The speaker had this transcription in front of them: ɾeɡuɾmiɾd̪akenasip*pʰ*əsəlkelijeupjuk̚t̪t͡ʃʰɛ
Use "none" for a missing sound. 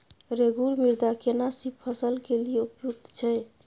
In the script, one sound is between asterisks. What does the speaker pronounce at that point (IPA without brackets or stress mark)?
pʰ